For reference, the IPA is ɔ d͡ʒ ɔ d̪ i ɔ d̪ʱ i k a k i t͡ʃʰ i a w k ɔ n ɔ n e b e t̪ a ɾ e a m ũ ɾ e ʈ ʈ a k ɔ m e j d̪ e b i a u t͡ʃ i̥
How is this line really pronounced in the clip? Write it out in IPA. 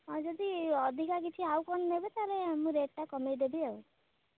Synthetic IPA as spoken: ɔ d͡ʒ ɔ d̪ i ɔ d̪ʱ i k a k i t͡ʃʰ i a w k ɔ n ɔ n e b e t̪ a ɾ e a m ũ ɾ e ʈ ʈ a k ɔ m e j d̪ e b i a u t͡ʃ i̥